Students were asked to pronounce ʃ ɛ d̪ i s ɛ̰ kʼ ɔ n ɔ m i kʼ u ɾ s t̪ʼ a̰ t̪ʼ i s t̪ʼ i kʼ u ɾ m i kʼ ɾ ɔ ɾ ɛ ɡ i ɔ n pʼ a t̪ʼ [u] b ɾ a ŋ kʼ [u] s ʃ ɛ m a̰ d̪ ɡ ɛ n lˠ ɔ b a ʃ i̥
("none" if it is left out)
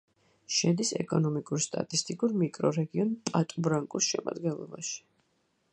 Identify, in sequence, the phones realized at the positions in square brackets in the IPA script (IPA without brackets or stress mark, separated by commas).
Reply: u, u